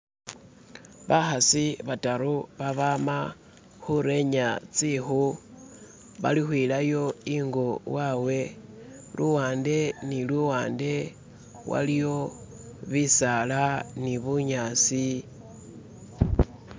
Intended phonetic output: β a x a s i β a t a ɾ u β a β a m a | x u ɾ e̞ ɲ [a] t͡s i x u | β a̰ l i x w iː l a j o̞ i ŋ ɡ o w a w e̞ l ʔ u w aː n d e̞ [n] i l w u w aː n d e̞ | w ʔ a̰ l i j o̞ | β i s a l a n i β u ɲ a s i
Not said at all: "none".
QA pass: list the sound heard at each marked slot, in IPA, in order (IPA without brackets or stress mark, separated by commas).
a, n